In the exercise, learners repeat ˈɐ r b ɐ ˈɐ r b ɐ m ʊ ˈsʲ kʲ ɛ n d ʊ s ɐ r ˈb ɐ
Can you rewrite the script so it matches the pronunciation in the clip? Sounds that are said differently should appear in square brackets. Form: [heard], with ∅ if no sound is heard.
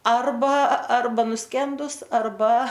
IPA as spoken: ˈɐ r b ɐ ˈɐ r b ɐ [n] ʊ ˈsʲ kʲ ɛ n d ʊ s ɐ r ˈb ɐ